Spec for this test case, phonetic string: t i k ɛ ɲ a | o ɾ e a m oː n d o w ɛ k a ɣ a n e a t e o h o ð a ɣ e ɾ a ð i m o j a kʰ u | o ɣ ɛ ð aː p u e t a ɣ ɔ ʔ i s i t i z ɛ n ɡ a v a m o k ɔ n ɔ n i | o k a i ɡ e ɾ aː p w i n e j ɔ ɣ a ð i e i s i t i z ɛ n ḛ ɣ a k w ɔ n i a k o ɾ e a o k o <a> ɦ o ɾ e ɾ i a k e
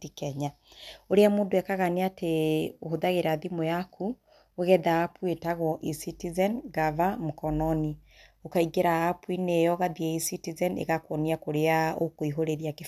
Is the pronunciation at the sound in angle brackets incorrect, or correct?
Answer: incorrect